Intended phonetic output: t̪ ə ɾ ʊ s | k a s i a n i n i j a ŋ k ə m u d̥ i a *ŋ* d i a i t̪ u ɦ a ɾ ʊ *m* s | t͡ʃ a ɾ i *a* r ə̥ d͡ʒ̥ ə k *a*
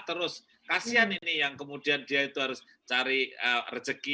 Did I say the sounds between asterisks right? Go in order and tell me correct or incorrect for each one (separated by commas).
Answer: incorrect, incorrect, incorrect, incorrect